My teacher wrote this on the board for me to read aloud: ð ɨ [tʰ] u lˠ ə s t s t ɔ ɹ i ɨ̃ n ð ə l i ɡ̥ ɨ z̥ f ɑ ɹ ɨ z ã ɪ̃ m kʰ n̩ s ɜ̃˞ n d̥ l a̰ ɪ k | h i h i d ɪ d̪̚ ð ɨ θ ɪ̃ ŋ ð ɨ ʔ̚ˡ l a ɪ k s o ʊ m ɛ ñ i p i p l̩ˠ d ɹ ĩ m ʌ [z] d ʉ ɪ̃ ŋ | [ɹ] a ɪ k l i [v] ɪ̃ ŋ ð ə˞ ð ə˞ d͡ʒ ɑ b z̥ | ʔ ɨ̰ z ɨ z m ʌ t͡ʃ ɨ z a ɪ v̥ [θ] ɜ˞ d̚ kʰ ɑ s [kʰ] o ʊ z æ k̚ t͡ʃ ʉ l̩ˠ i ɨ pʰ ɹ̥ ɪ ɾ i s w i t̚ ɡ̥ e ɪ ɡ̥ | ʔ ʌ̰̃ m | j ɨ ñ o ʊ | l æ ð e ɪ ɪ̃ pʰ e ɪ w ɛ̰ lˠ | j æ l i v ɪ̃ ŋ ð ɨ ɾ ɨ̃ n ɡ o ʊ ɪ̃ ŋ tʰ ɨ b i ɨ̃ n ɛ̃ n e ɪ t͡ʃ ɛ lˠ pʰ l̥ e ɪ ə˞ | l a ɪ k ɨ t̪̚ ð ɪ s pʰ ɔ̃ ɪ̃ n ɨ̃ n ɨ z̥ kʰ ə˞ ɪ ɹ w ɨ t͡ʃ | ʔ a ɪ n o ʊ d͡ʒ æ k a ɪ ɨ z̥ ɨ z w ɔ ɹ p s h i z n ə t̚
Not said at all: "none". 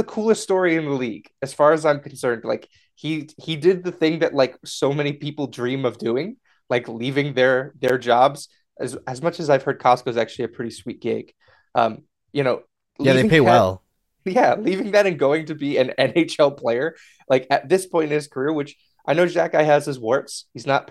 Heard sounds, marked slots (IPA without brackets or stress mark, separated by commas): kʰ, v, l, v, h, k